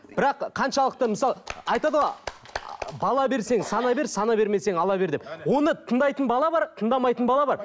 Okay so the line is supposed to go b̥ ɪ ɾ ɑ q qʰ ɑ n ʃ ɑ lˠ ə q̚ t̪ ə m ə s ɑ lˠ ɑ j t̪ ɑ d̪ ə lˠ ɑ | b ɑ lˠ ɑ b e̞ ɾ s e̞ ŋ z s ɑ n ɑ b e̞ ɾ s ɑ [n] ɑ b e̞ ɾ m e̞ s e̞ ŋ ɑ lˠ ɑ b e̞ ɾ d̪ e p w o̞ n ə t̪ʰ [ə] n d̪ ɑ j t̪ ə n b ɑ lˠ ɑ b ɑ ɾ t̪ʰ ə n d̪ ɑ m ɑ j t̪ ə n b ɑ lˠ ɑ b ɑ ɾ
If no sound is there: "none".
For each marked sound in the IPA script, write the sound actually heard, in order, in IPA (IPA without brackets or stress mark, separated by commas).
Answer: n, ə